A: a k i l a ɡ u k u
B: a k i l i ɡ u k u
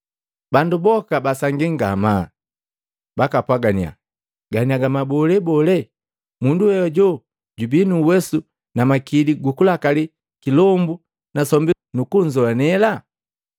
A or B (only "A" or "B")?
B